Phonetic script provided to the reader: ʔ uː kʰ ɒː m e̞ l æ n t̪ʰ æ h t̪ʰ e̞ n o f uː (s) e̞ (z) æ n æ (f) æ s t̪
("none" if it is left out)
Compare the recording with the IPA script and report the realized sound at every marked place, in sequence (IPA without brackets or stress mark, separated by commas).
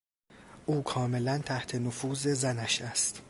z, z, ʃ